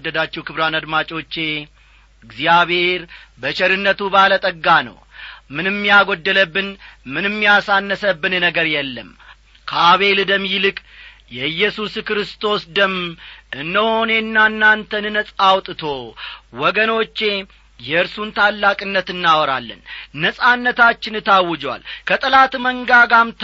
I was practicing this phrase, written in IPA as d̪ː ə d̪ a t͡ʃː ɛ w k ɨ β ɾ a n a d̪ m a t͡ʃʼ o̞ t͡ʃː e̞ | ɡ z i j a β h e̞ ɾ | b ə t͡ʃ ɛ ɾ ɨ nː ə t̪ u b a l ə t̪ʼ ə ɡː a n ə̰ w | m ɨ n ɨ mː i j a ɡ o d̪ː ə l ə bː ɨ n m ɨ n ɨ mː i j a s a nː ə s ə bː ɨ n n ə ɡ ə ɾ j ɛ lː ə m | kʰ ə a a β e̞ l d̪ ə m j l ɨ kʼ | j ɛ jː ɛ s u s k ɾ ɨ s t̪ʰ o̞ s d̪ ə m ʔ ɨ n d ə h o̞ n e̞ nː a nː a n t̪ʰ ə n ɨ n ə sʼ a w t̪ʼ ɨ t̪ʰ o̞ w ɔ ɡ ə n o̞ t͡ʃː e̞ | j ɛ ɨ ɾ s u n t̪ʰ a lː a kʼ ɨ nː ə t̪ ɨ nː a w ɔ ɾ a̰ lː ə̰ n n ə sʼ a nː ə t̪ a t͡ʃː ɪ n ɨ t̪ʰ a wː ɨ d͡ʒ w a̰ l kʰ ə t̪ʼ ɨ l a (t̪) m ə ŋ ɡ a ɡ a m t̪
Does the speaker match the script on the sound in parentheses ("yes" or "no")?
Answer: yes